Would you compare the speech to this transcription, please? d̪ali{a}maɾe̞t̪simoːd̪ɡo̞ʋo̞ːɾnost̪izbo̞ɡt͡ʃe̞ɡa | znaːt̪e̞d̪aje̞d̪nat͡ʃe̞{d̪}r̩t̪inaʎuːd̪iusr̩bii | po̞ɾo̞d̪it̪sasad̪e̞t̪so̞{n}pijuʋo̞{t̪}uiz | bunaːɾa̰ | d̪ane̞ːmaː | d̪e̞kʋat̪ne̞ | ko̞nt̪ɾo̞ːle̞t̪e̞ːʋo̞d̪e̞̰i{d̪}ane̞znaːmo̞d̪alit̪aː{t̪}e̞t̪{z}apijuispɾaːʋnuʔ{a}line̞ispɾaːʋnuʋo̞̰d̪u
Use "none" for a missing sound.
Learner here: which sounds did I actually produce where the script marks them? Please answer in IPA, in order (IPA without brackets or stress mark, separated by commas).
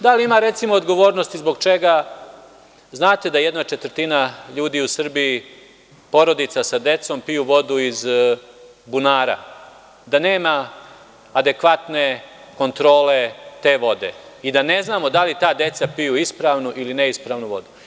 i, t̪, m, d̪, d̪, d̪, s, i